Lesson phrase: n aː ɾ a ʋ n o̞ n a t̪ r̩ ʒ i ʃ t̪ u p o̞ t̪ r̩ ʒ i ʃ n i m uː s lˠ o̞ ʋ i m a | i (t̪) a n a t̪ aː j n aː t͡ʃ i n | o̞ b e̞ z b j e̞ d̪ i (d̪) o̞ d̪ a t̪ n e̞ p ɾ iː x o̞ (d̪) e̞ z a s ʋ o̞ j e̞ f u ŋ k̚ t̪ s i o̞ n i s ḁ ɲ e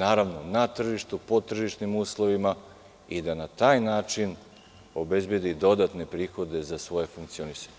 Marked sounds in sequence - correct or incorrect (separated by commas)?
incorrect, correct, correct